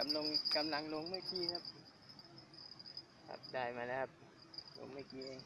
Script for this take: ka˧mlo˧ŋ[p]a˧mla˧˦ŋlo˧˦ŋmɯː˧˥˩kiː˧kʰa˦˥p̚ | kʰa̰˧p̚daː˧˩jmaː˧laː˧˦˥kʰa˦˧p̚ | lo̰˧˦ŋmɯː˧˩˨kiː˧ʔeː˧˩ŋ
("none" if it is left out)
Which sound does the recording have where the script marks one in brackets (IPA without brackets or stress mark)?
k